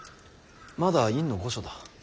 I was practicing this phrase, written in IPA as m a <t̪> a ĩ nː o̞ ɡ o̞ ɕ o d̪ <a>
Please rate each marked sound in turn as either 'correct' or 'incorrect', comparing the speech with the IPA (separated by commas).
incorrect, correct